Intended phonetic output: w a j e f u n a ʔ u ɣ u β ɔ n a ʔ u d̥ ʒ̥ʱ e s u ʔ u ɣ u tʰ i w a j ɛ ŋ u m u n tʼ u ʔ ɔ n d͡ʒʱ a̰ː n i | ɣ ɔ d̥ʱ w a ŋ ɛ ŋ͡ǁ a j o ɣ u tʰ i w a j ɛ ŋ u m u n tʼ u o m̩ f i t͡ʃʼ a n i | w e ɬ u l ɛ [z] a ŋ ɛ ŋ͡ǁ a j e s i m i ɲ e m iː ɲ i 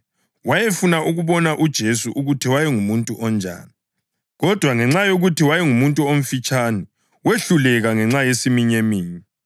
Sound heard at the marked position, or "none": ɣ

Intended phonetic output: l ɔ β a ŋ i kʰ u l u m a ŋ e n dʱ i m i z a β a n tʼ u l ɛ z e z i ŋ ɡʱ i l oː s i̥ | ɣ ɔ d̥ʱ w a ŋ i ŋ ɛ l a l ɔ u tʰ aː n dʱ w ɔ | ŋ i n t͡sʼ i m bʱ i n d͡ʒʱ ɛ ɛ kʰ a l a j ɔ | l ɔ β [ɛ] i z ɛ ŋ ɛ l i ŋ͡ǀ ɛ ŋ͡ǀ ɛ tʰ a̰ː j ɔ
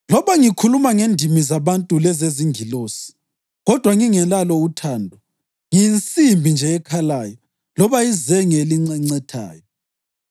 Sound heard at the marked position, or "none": a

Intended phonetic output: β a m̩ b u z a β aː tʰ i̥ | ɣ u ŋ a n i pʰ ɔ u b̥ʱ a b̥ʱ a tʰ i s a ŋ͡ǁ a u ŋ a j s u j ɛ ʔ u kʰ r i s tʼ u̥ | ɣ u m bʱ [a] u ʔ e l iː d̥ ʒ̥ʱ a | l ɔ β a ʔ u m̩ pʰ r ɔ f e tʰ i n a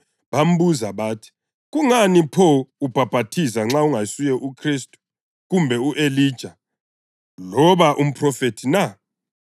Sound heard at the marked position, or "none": ɛ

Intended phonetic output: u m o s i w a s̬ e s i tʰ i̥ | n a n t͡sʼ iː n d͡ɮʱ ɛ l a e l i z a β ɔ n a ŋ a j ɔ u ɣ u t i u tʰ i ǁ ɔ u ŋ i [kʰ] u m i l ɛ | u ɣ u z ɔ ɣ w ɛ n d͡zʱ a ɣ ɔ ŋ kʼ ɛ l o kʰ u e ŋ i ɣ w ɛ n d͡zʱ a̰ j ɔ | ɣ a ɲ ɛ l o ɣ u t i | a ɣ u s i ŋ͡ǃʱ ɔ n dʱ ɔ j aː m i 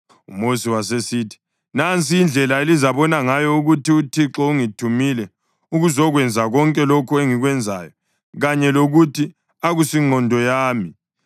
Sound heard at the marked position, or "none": tʰ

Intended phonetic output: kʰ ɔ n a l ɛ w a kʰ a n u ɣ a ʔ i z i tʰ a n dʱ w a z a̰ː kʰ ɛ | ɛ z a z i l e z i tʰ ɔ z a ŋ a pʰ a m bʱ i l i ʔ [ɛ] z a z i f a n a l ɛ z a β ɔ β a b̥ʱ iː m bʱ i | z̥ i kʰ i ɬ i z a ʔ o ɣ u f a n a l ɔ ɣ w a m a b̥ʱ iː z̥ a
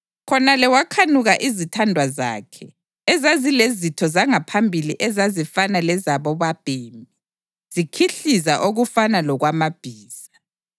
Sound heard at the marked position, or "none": ɛ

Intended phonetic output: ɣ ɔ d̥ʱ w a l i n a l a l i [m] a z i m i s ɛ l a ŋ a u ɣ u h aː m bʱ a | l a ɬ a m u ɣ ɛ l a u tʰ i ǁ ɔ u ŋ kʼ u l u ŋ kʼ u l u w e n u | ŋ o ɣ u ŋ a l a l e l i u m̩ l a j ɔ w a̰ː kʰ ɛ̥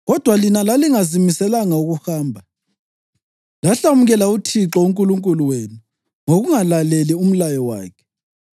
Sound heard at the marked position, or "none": ŋ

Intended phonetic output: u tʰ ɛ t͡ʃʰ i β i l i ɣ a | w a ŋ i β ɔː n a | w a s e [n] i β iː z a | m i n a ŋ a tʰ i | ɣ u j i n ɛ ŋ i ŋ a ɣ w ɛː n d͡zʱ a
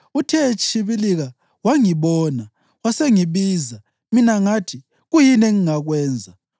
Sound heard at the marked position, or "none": ŋ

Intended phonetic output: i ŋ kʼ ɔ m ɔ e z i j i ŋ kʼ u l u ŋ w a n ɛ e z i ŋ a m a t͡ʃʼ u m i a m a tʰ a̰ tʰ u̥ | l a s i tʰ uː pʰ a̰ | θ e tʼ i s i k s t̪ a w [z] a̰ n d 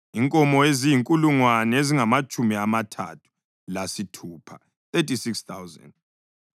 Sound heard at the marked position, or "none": z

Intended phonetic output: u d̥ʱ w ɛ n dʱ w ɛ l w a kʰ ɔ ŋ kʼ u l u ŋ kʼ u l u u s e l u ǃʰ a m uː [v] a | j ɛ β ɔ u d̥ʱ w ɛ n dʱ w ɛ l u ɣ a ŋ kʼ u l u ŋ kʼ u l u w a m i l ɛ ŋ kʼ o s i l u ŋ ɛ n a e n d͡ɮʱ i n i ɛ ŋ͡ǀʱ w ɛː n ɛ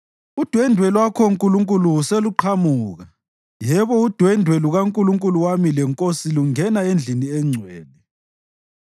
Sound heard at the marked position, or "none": ɣ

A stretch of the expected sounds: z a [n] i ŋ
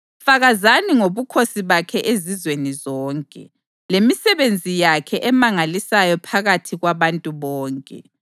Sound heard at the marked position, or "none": n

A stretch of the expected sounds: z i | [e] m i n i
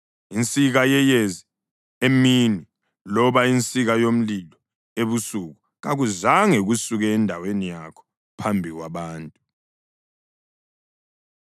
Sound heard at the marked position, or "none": e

